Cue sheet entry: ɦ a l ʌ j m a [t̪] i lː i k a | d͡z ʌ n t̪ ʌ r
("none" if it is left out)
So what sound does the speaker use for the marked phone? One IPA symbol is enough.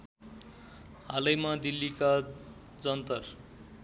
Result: d̪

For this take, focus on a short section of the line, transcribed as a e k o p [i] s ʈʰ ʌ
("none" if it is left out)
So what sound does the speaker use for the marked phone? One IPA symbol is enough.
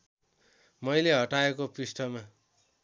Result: i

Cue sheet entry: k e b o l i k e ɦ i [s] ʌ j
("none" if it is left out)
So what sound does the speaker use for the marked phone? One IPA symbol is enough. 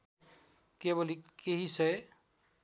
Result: s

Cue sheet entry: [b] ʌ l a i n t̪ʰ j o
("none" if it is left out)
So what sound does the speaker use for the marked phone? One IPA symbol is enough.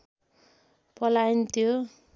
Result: p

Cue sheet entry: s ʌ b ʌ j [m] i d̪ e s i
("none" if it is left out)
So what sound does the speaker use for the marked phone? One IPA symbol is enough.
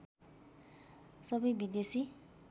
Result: b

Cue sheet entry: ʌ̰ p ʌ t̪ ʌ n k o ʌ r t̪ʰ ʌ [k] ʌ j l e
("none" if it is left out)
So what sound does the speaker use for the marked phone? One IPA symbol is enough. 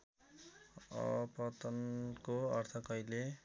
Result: k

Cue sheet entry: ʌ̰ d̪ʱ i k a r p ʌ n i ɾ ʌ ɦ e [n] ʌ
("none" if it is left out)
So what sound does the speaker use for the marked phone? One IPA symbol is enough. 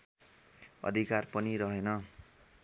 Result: n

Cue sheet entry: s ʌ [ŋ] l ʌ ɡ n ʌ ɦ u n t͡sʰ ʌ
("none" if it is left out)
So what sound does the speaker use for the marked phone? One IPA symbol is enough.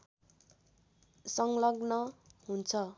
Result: ŋ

